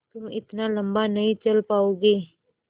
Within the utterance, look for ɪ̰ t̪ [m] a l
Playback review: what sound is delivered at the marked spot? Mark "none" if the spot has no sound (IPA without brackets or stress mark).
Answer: n